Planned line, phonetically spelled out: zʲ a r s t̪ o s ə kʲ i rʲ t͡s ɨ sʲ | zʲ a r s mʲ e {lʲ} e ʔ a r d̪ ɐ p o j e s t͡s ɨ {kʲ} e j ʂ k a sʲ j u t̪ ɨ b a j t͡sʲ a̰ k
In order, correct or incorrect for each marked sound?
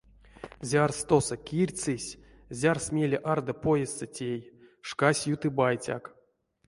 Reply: correct, incorrect: tʲ

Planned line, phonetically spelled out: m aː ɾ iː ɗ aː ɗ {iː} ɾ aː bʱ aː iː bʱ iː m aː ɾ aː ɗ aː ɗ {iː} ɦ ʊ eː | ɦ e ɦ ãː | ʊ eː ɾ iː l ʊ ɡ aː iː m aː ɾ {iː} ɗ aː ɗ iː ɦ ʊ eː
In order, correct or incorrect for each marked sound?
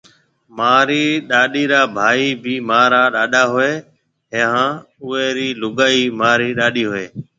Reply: correct, incorrect: aː, correct

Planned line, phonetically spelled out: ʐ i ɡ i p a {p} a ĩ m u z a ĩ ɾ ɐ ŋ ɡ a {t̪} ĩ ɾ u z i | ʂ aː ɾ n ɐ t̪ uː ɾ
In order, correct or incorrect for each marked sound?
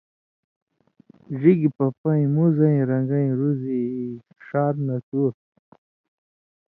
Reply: correct, incorrect: none

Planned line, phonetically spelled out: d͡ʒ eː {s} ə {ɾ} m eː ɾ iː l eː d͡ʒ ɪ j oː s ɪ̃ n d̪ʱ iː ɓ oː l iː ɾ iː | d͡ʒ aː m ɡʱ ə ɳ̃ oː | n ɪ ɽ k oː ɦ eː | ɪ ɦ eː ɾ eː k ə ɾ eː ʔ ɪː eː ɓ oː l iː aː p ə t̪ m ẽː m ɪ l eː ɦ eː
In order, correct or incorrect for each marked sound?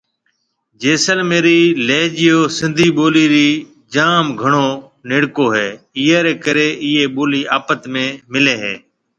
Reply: correct, incorrect: l

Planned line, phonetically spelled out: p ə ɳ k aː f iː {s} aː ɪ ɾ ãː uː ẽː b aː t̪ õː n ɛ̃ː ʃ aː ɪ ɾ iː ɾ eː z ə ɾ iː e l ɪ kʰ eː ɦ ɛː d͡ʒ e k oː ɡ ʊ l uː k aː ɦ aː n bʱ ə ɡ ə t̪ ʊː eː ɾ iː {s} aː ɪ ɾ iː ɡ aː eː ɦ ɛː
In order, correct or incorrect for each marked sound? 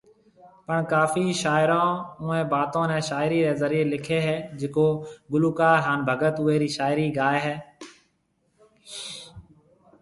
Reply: incorrect: ʃ, incorrect: ʃ

